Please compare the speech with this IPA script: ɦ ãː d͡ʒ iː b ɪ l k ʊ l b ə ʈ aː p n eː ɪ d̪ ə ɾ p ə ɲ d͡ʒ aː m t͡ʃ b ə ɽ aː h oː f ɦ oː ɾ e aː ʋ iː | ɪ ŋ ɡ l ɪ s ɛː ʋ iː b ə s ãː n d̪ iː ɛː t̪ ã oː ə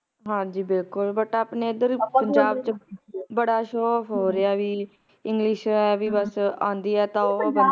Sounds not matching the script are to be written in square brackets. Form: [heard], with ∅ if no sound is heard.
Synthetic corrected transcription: ɦ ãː d͡ʒ iː b ɪ l k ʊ l b ə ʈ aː p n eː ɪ d̪ ə ɾ p ə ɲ d͡ʒ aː [b] t͡ʃ b ə ɽ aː [ʃ] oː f ɦ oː ɾ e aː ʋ iː | ɪ ŋ ɡ l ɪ [ʃ] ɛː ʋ iː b ə s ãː n d̪ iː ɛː t̪ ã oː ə